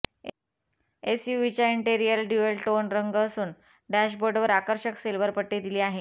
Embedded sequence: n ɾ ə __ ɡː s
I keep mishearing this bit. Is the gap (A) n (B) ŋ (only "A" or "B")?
B